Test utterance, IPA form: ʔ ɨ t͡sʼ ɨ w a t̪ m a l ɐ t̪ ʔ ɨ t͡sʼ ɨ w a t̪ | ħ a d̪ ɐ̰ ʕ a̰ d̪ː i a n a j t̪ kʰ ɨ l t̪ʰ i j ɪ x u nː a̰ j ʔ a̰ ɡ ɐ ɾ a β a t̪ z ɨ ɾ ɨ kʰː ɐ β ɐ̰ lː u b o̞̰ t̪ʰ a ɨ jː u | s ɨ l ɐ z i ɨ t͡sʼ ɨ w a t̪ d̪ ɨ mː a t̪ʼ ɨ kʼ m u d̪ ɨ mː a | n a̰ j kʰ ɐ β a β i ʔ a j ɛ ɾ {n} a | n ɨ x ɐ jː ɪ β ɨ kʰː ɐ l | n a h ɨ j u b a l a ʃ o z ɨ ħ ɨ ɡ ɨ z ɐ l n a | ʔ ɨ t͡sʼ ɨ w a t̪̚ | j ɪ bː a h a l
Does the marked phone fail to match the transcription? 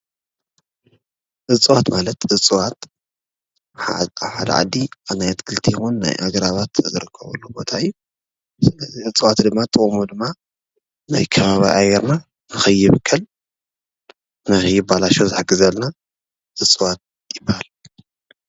no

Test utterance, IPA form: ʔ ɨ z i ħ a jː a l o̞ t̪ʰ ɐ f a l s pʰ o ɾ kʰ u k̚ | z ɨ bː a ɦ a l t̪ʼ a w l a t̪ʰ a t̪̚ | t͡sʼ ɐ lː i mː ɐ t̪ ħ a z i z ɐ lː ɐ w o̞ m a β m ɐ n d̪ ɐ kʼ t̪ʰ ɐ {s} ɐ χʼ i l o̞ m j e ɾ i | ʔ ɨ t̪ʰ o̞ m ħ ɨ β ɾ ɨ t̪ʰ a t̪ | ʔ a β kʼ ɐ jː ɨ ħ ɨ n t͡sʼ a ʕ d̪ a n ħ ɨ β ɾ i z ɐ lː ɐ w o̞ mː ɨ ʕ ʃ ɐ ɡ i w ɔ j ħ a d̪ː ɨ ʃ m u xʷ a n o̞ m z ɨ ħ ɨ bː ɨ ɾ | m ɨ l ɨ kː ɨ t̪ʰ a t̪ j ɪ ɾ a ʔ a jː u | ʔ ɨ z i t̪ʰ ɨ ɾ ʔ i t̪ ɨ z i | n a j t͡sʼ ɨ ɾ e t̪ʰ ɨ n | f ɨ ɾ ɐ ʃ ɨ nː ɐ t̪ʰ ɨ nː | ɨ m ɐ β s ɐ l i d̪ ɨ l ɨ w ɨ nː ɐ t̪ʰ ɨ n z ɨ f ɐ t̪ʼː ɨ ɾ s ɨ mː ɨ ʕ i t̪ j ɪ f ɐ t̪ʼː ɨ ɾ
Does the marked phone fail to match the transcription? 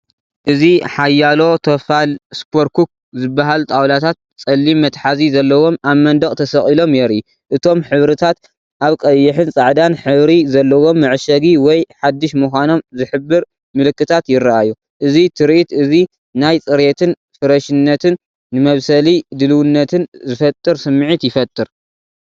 no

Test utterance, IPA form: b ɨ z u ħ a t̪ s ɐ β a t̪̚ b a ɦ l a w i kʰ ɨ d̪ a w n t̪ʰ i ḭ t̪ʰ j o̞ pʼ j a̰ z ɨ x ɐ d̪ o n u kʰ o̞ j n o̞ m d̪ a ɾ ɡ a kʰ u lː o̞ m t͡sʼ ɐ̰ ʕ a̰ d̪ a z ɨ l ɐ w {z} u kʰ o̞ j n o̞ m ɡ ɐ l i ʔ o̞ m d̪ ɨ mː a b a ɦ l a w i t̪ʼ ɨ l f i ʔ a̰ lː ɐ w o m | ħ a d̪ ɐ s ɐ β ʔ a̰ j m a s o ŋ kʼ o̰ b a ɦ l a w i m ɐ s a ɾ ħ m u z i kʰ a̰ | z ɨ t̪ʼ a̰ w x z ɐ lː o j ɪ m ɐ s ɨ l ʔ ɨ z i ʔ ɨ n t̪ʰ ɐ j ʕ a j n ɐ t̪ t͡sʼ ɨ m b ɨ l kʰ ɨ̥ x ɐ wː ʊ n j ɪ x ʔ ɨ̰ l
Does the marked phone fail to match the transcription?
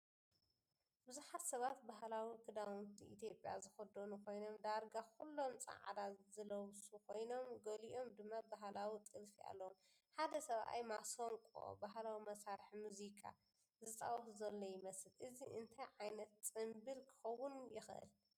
yes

